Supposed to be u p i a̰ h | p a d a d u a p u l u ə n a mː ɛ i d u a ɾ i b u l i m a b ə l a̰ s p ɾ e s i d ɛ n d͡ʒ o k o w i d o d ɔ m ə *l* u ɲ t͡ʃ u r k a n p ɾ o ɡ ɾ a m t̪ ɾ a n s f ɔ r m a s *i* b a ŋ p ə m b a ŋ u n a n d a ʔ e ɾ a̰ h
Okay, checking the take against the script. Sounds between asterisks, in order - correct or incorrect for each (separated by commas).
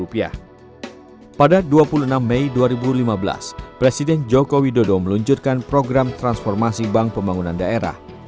correct, correct